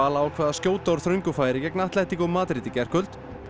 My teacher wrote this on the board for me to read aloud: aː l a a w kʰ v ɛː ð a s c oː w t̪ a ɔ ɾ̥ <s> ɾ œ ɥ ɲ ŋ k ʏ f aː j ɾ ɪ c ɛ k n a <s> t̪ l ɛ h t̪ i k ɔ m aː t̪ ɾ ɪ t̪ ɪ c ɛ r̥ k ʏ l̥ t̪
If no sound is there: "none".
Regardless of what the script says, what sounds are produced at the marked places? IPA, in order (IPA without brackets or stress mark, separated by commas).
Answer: θ, h